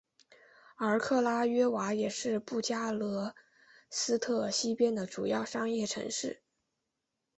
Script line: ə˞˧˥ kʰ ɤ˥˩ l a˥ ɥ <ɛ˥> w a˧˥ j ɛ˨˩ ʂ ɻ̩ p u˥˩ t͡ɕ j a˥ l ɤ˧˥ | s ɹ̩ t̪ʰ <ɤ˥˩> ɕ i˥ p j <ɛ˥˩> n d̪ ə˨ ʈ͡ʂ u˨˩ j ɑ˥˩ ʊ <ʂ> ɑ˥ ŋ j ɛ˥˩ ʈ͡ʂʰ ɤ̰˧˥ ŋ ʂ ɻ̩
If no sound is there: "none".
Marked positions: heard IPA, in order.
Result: ɛ˥, ɤ˥˩, ɛ˥, ʂ

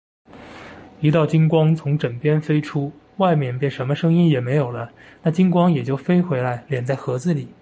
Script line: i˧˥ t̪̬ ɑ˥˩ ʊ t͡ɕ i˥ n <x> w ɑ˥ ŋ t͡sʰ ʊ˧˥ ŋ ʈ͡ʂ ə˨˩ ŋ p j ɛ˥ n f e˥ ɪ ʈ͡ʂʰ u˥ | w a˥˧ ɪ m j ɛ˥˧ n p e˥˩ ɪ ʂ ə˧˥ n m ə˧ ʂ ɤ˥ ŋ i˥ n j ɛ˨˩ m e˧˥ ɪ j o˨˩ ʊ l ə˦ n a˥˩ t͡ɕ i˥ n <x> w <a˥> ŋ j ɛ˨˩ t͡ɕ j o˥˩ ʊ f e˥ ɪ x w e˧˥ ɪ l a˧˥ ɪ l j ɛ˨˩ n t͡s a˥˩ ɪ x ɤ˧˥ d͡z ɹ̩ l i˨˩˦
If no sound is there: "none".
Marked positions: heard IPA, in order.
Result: k, k, ɑ˥

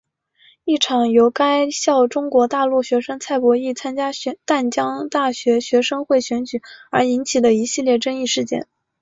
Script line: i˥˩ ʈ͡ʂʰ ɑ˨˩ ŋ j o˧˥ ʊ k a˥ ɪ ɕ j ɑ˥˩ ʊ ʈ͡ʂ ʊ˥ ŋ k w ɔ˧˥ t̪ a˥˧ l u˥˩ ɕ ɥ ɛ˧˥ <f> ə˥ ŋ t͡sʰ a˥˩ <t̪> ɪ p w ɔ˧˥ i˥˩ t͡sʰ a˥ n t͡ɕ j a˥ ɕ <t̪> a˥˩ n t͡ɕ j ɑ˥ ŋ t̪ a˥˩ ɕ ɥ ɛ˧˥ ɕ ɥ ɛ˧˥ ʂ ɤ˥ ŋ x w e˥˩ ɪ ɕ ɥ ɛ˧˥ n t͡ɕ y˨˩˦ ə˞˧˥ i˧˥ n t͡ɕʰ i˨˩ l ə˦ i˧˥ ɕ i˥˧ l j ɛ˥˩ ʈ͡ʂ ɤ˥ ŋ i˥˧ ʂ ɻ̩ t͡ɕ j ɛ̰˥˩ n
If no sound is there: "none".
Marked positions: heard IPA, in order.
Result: ʂ, none, t̪

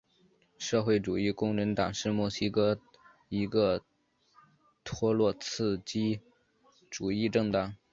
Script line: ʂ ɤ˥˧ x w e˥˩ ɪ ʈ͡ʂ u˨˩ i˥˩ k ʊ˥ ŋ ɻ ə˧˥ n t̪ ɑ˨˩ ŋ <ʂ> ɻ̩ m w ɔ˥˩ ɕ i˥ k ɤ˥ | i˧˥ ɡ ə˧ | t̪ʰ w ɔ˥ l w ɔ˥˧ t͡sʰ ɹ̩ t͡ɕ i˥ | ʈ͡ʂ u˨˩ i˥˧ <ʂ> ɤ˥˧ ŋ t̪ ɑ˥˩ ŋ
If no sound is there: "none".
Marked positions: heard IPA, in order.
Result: ʂ, ʈ͡ʂ

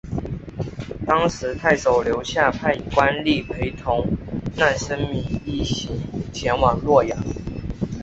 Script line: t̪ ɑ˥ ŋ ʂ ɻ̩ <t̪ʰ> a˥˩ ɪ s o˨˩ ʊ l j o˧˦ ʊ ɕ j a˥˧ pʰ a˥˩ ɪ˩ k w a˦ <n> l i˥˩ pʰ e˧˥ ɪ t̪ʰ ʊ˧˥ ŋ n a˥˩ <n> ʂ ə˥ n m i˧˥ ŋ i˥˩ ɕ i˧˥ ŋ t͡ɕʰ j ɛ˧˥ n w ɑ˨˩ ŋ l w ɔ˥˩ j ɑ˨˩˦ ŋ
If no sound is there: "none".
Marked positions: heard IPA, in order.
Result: t̪ʰ, n, n

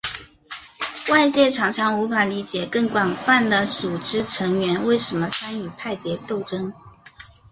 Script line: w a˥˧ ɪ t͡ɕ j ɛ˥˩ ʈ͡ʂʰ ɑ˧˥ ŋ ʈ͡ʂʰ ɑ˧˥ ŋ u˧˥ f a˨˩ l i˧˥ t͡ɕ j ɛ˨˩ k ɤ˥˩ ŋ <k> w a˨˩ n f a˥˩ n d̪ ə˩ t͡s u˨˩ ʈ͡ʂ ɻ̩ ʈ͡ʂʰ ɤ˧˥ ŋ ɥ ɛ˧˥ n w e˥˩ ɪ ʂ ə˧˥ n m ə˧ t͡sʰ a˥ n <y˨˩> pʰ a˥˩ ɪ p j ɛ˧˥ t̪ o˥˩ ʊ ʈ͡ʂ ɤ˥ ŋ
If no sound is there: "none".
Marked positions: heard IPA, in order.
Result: k, y˨˩

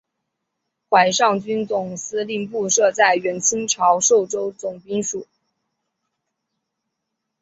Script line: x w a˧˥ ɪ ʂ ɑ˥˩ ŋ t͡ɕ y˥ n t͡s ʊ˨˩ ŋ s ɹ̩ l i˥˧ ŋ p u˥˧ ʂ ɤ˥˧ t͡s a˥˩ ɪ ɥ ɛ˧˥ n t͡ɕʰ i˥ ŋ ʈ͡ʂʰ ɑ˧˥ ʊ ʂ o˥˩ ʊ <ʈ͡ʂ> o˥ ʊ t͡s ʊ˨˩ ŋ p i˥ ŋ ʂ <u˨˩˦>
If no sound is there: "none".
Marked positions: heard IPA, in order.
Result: ʈ͡ʂ, u˨˩˦

